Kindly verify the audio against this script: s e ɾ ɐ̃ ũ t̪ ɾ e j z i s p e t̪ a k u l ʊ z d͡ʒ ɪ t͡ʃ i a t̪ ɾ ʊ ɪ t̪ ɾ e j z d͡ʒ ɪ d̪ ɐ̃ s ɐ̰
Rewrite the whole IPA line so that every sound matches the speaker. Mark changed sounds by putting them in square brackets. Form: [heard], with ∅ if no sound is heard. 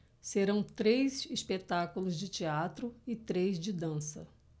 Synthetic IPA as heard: s e ɾ ɐ̃ [w̃] t̪ ɾ e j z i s p e t̪ a k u l ʊ z d͡ʒ ɪ t͡ʃ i a t̪ ɾ ʊ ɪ t̪ ɾ e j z d͡ʒ ɪ d̪ ɐ̃ s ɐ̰

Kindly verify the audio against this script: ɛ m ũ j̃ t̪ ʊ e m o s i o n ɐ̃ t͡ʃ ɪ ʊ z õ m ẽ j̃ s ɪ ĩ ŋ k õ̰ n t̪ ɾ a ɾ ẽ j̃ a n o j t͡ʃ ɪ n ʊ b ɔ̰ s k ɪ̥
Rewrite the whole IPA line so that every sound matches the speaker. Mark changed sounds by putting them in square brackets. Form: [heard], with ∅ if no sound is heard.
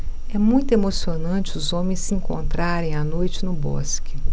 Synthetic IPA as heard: ɛ m ũ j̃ t̪ ʊ e m o s i o n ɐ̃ t͡ʃ ɪ ʊ z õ m ẽ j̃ s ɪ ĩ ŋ k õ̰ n t̪ ɾ a ɾ ẽ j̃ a n o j t͡ʃ ɪ n ʊ b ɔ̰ s k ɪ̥

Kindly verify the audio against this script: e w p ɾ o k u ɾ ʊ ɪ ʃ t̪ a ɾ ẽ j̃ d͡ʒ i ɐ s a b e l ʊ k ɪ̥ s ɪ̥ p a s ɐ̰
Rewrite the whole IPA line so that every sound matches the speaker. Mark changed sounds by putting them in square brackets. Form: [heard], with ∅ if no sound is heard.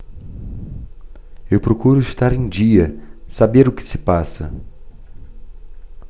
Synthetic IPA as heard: e w p ɾ o k u ɾ ʊ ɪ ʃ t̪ a ɾ ẽ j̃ d͡ʒ i ɐ s a b e [ɾ] ʊ k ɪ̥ s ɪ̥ p a s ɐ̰

